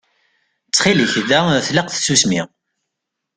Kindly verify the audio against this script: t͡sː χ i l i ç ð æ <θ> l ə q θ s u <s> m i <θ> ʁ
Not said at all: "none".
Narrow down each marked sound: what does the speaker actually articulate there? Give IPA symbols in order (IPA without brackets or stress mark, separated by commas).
θ, s, none